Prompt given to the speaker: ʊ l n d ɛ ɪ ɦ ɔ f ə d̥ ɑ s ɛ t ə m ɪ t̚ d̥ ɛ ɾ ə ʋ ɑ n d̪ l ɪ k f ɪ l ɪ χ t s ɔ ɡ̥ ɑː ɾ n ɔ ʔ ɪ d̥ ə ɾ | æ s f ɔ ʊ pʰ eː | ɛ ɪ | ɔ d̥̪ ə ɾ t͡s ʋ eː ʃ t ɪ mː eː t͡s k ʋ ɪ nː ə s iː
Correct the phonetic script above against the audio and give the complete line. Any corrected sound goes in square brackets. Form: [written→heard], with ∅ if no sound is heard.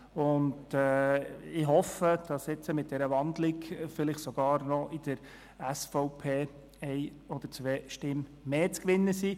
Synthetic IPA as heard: ʊ [l→∅] n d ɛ ɪ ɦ ɔ f ə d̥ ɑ s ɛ [t→t͡s] ə m ɪ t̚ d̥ ɛ ɾ ə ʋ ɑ n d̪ l ɪ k f ɪ l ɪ χ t s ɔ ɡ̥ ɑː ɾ n ɔ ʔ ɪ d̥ ə ɾ | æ s f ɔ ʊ pʰ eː | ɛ ɪ | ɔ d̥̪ ə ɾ t͡s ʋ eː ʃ t ɪ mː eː t͡s k ʋ ɪ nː ə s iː